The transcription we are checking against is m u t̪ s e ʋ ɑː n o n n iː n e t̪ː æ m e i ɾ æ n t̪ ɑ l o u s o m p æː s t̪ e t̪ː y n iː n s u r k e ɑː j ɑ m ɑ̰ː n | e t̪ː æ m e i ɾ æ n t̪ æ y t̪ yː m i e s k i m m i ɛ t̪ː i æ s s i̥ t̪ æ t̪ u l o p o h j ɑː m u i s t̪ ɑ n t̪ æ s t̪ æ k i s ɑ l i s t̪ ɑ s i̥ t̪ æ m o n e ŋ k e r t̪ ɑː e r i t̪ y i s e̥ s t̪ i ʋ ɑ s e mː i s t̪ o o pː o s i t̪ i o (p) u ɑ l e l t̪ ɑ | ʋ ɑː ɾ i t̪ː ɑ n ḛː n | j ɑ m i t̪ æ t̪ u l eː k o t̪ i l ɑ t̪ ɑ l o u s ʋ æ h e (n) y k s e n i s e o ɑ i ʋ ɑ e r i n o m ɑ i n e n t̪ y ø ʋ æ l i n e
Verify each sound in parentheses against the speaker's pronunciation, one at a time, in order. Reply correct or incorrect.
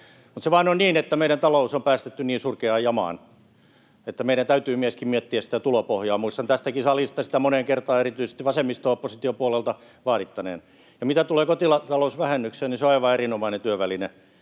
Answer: correct, incorrect: nː

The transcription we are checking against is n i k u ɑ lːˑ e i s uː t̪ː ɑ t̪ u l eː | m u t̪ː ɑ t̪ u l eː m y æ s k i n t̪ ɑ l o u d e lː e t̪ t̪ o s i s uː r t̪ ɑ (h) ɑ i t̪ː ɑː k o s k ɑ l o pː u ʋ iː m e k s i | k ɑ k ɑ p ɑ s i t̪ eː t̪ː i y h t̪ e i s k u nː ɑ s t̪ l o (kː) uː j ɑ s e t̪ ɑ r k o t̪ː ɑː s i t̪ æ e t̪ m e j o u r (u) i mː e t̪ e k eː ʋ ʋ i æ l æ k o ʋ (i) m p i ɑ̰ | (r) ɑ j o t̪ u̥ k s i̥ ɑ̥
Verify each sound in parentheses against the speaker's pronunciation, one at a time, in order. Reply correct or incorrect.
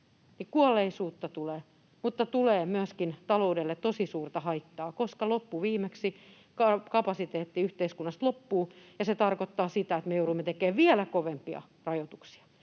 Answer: correct, incorrect: pː, correct, incorrect: e, correct

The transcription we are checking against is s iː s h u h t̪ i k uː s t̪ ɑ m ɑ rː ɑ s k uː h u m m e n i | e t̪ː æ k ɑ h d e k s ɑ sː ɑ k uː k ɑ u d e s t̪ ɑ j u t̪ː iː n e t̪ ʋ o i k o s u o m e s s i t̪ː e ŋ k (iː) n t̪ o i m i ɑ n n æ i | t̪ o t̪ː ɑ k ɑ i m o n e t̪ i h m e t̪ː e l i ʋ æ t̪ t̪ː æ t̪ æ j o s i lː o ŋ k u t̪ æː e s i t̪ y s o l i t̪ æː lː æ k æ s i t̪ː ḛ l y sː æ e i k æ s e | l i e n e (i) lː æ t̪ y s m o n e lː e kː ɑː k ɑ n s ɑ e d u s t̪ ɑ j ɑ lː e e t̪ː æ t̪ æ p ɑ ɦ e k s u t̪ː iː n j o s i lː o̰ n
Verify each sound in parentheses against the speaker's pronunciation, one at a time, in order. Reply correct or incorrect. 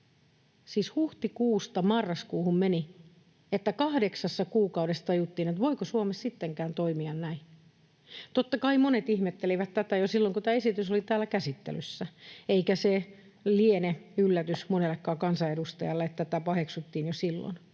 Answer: incorrect: æː, incorrect: y

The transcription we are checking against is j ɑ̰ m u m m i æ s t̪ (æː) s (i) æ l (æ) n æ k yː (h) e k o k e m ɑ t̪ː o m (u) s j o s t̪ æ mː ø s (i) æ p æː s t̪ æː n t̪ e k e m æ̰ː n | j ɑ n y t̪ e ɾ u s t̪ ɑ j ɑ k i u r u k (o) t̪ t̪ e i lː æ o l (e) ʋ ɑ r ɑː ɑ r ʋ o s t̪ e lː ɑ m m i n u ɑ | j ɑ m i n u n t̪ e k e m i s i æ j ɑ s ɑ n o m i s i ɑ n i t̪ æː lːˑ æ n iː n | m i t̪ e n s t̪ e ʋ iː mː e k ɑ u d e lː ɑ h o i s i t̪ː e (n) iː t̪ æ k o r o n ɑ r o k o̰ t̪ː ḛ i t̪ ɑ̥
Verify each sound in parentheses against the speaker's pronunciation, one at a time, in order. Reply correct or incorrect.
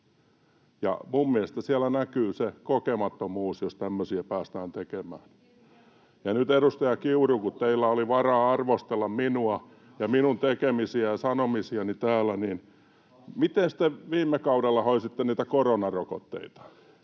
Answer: incorrect: æ, correct, correct, incorrect: s, incorrect: uː, correct, incorrect: u, incorrect: i, correct

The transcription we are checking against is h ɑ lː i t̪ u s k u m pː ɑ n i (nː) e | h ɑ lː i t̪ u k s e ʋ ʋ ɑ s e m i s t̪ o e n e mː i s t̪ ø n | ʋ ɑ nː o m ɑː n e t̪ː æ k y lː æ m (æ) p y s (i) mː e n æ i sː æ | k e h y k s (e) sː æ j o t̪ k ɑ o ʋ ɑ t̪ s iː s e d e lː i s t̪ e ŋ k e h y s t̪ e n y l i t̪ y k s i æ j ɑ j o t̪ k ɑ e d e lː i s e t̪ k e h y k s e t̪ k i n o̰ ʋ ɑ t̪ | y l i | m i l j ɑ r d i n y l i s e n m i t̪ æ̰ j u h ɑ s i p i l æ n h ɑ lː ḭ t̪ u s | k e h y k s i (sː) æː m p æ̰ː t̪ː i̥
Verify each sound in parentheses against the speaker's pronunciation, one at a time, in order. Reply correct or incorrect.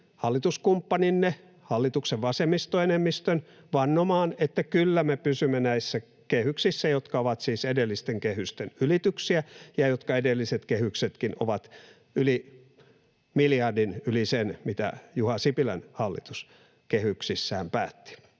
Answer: correct, incorrect: e, incorrect: y, incorrect: i, correct

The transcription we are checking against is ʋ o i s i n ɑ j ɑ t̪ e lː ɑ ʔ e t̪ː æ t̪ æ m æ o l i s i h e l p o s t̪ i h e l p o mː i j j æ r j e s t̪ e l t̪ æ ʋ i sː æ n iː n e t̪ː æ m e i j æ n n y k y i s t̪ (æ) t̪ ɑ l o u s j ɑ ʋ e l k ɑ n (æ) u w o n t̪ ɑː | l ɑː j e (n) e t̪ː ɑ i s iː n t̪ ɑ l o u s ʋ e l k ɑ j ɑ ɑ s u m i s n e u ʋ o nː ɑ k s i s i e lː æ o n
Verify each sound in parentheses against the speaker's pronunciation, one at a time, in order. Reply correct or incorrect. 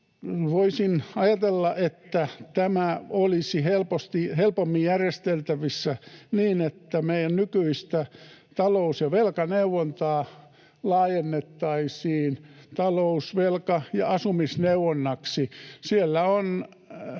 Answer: correct, incorrect: e, incorrect: nː

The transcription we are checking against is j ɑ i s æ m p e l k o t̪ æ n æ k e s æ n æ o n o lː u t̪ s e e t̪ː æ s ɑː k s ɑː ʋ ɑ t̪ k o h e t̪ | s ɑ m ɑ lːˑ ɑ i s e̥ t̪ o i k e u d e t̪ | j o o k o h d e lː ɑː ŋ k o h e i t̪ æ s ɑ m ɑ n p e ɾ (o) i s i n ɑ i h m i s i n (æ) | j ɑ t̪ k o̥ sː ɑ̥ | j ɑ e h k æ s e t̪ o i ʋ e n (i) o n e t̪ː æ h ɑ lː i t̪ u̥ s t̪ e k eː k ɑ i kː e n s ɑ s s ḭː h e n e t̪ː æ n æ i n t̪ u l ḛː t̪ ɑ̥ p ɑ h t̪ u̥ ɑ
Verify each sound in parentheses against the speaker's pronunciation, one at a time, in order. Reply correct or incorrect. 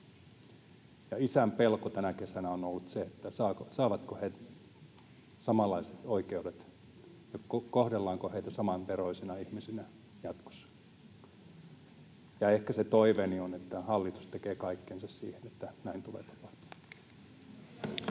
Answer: correct, correct, correct

